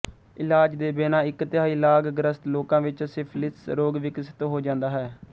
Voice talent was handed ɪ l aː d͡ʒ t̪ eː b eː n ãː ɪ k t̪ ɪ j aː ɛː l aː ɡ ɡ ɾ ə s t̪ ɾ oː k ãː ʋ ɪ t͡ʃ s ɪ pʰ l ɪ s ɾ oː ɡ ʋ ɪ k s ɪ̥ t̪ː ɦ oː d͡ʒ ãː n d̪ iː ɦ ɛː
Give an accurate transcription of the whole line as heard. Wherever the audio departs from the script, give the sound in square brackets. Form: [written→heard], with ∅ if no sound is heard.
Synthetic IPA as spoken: ɪ l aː d͡ʒ [t̪→d̪] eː b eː n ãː ɪ k t̪ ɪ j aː [ɛː→iː] l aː ɡ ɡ ɾ ə s t̪ [ɾ→l] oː k ãː ʋ ɪ t͡ʃ s ɪ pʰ l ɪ s ɾ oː ɡ ʋ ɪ k s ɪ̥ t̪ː ɦ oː d͡ʒ ãː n d̪ [iː→aː] ɦ ɛː